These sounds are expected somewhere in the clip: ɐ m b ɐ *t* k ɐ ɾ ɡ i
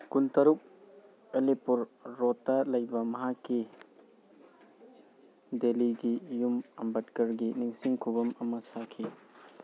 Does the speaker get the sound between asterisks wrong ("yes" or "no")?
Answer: no